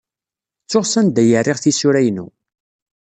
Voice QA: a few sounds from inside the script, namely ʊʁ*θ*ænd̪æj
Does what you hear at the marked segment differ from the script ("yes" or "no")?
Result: yes